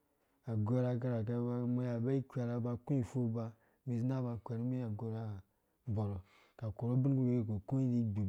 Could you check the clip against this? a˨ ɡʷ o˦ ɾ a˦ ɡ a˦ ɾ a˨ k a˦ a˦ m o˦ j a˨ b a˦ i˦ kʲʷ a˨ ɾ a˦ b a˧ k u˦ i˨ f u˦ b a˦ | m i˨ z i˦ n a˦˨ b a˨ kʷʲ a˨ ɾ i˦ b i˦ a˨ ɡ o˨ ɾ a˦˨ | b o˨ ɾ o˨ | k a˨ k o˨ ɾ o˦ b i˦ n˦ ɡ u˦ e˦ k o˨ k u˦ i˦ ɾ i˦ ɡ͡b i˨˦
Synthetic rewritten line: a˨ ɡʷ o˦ ɾ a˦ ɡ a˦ ɾ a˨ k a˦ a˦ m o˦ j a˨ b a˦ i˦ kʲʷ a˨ ɾ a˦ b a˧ k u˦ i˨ f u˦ b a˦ | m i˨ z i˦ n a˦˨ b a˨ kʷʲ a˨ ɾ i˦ m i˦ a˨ ɡ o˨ ɾ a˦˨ | b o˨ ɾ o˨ | k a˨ k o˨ ɾ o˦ b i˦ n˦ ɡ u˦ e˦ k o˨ k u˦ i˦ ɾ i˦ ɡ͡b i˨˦